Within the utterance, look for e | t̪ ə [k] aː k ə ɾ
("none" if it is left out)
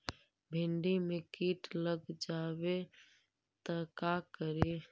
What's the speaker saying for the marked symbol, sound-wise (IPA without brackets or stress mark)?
k